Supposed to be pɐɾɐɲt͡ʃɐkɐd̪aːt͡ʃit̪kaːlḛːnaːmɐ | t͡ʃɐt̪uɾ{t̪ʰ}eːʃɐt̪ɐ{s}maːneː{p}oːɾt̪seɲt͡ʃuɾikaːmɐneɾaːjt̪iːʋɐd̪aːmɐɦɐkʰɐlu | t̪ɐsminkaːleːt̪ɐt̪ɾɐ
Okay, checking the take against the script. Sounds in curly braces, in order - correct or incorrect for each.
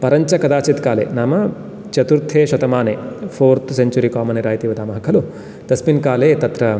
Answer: correct, incorrect, incorrect

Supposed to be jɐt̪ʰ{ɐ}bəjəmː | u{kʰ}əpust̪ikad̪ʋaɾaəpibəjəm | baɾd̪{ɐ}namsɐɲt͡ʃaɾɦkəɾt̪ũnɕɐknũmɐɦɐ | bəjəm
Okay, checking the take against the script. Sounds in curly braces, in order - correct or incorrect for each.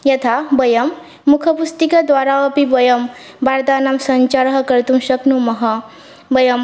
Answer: incorrect, correct, incorrect

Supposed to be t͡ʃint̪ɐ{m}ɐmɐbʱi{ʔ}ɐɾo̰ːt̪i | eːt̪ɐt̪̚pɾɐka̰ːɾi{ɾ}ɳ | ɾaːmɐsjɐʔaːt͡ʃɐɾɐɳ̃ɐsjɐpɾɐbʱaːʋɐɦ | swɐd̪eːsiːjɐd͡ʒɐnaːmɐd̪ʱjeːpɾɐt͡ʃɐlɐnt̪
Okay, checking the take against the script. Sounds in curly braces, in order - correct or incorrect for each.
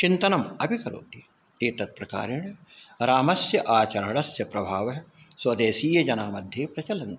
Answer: incorrect, incorrect, incorrect

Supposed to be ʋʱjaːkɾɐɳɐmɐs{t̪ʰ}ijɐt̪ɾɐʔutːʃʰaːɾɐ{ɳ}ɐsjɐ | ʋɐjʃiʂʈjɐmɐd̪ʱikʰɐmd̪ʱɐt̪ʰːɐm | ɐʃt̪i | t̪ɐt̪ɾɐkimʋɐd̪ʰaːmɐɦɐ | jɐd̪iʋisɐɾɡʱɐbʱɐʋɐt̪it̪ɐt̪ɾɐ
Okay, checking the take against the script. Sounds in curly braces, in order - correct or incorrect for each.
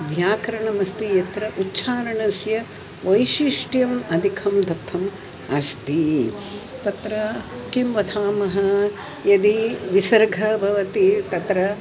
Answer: incorrect, correct

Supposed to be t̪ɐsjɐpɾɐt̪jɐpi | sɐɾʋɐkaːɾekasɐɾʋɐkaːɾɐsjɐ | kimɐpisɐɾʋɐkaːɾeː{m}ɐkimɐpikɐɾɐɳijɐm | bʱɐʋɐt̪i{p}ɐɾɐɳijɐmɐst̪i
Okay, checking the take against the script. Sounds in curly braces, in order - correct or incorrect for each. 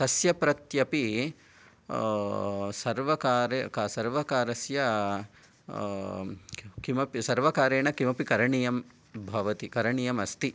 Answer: incorrect, incorrect

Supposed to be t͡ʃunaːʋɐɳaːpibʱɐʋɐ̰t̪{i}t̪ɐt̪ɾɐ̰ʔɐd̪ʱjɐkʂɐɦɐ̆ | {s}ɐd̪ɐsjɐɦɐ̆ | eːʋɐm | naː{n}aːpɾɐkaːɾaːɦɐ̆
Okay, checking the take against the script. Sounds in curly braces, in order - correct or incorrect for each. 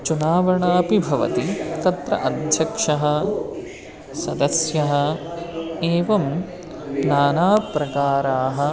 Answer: correct, correct, correct

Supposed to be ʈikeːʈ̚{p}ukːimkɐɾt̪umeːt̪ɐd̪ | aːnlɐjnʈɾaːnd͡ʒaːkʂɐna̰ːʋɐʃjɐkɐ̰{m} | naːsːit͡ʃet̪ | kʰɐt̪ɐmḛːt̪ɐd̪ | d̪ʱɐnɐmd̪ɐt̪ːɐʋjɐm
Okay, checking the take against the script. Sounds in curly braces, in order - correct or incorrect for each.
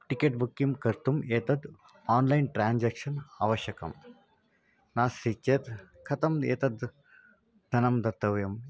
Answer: incorrect, correct

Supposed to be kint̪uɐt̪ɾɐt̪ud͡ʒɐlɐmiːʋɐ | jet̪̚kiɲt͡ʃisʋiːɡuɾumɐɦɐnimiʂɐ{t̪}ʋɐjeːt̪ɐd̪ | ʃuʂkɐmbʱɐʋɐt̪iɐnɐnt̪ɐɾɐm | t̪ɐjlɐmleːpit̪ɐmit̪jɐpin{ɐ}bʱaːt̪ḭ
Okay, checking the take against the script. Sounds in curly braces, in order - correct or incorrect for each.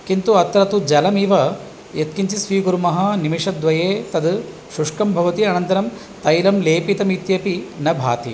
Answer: incorrect, correct

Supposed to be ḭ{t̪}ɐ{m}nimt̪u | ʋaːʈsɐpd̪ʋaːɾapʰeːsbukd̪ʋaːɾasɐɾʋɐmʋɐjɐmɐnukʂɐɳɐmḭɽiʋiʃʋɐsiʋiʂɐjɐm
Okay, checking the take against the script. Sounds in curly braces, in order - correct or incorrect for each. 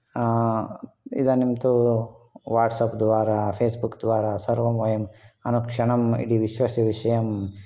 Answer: incorrect, incorrect

